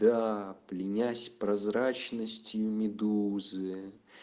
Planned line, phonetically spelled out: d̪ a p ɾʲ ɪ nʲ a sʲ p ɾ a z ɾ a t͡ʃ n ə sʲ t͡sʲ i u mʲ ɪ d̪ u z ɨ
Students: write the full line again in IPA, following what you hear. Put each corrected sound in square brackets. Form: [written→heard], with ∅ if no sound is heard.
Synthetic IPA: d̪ a p [ɾʲ→lʲ] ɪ nʲ a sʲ p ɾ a z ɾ a t͡ʃ n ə sʲ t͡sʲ [i→j] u mʲ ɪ d̪ u z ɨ